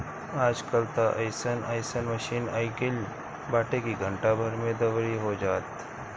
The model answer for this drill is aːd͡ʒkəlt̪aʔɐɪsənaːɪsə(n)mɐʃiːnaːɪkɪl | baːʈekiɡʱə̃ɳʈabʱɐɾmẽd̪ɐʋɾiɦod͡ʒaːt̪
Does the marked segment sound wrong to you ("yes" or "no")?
no